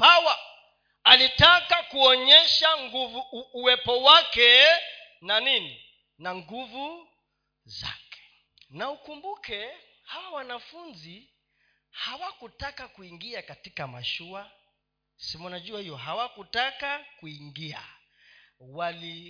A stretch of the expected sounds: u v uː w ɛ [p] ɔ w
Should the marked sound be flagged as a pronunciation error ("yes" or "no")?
no